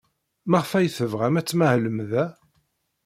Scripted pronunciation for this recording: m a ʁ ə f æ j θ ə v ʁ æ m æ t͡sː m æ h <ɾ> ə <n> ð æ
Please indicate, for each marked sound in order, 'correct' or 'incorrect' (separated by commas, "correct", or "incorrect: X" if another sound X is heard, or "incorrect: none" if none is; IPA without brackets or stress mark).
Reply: incorrect: l, incorrect: m